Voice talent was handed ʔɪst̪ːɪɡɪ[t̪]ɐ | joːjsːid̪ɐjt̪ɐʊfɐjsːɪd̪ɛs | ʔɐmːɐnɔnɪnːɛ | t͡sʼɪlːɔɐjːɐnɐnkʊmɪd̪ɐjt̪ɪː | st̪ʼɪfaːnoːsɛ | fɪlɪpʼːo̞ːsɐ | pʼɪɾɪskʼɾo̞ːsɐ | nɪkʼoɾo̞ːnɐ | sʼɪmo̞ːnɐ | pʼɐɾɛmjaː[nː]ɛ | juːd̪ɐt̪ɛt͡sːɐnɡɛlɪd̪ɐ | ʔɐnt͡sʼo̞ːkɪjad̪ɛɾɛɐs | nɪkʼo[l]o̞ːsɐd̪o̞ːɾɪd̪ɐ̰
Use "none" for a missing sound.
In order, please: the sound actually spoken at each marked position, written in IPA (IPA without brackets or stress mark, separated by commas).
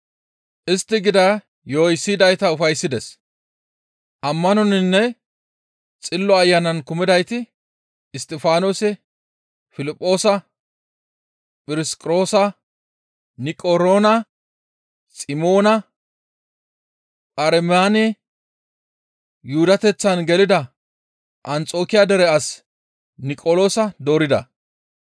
d̪, n, l